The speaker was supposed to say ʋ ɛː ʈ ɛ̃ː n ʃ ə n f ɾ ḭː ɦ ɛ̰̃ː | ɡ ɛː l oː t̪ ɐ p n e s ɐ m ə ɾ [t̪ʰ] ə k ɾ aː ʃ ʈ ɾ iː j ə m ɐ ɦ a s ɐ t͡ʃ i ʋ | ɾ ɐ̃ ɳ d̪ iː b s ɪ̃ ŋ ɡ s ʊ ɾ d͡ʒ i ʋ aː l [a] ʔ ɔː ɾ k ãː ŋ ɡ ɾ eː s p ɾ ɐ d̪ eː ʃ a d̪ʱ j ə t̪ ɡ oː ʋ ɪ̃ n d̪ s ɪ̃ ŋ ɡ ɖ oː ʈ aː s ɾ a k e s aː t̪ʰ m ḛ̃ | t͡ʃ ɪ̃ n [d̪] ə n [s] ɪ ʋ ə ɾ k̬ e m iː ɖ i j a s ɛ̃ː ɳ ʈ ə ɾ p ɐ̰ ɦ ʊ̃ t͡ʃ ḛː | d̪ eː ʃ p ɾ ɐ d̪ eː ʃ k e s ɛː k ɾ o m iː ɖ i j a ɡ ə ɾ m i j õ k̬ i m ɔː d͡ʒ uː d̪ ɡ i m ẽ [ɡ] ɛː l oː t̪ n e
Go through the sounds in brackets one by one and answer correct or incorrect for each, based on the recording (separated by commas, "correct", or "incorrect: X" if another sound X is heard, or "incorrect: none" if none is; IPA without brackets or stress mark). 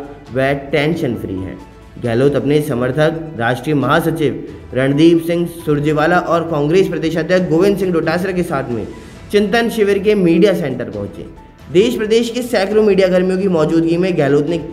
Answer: correct, correct, incorrect: t̪, incorrect: ʃ, correct